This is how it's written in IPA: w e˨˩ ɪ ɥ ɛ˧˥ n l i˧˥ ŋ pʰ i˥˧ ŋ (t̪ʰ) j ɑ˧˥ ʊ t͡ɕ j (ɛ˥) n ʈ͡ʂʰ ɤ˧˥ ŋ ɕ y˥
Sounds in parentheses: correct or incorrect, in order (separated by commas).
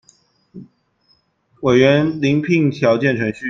correct, incorrect